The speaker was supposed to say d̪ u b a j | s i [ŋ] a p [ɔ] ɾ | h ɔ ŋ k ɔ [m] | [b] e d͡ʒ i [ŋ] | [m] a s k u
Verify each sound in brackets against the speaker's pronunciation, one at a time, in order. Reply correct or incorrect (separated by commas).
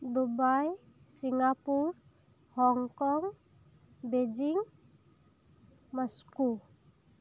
correct, incorrect, incorrect, correct, correct, correct